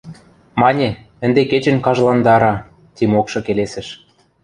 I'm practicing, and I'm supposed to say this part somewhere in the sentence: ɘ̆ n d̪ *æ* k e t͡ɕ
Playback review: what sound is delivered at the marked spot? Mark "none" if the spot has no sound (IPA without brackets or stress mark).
e